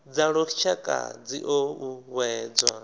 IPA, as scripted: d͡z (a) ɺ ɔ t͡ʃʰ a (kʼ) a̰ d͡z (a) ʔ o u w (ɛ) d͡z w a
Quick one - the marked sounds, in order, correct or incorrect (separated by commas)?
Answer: correct, correct, incorrect, incorrect